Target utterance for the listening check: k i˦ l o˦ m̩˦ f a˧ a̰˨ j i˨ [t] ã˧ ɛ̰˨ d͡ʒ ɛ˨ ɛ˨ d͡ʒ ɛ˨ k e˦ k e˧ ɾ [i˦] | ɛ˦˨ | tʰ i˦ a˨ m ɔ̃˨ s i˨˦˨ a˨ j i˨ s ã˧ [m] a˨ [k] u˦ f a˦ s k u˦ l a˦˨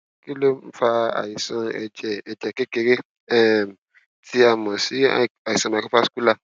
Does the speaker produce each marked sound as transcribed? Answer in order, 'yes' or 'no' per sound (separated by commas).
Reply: no, no, yes, yes